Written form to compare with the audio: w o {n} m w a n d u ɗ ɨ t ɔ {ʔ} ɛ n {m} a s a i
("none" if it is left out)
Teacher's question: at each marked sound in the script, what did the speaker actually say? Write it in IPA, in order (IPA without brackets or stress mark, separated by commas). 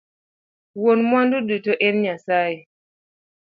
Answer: n, ʔ, ɲ